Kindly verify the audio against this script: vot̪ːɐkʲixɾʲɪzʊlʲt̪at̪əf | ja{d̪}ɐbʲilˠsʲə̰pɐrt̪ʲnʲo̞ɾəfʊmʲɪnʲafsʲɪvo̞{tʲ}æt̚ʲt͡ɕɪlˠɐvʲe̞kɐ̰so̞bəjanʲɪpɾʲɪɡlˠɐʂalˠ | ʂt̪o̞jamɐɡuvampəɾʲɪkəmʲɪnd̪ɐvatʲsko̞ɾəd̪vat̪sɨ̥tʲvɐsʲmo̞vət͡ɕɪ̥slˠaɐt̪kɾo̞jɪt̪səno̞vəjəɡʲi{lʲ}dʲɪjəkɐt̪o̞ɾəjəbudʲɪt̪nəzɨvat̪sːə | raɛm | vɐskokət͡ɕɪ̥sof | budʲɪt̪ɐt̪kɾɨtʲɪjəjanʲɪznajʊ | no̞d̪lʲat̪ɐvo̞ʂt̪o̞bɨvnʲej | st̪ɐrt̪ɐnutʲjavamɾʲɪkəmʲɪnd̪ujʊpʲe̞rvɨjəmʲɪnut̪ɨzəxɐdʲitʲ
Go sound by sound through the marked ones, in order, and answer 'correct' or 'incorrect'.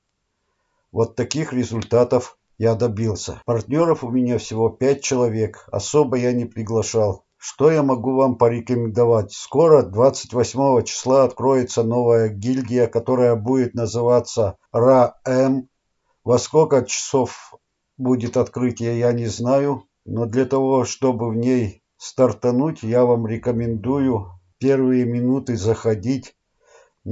correct, incorrect: pʲ, correct

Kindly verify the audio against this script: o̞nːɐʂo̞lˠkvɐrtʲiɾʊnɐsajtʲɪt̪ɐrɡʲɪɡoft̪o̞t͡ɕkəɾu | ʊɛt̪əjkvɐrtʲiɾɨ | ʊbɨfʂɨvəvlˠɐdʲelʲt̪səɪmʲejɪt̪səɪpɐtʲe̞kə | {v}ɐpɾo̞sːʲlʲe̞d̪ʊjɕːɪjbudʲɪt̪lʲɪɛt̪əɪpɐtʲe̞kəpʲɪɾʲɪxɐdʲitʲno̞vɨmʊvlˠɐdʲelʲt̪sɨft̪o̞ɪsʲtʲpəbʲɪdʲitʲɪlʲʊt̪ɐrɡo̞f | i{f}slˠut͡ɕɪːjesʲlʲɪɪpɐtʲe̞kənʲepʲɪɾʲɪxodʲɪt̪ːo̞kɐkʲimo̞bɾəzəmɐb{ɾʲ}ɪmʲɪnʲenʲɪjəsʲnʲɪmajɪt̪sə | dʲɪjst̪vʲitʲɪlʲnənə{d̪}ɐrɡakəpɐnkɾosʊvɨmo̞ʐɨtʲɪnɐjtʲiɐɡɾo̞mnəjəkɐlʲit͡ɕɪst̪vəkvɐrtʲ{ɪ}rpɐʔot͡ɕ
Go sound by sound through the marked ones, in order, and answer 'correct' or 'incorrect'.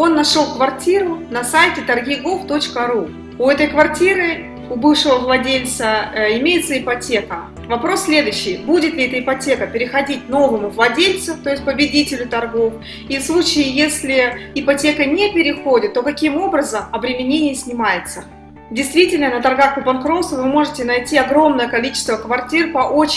correct, correct, correct, incorrect: t̪, incorrect: i

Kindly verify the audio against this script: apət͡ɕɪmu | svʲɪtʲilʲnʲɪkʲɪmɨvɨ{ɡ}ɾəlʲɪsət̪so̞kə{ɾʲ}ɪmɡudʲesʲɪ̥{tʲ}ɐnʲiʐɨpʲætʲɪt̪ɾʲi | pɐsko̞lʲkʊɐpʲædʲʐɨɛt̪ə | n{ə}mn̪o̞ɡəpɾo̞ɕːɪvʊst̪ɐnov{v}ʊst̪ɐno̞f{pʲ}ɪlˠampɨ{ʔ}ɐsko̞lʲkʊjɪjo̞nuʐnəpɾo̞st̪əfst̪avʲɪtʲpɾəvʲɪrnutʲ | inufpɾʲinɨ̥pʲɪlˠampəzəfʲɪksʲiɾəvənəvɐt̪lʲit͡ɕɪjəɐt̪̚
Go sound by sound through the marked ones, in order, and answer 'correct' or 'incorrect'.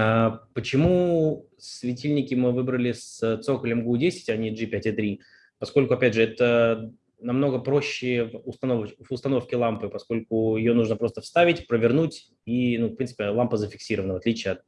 incorrect: b, incorrect: lʲ, correct, incorrect: ɐ, correct, incorrect: kʲ, incorrect: p

